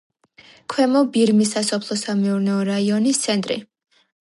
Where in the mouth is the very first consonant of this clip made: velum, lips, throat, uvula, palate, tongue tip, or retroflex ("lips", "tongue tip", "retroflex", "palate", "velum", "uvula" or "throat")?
velum